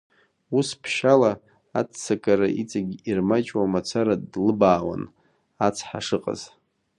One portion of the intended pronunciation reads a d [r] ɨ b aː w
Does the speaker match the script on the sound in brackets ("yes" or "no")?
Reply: no